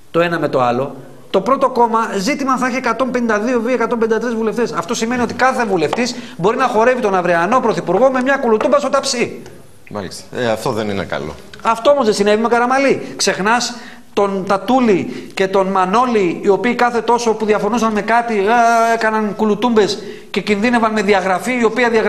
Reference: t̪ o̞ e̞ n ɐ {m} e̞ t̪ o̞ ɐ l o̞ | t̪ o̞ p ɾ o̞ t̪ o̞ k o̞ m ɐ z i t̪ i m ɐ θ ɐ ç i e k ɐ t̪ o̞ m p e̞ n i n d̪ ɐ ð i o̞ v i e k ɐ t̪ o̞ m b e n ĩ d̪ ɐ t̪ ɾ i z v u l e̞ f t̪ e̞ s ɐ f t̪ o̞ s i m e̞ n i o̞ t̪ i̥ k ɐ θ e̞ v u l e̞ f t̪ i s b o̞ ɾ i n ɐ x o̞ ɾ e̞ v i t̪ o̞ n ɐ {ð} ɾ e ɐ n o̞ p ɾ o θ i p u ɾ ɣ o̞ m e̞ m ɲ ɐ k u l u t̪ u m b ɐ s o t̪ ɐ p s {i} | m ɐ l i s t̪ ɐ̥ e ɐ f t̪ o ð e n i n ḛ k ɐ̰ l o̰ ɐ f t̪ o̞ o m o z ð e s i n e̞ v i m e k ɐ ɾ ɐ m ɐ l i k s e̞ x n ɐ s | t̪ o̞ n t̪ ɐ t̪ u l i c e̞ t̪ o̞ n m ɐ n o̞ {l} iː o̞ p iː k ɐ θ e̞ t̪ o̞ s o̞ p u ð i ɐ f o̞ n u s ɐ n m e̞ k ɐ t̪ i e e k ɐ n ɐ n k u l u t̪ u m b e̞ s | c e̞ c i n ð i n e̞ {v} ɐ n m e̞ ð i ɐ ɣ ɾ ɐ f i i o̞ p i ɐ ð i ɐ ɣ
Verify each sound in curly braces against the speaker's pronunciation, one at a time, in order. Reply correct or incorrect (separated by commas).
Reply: correct, incorrect, correct, correct, correct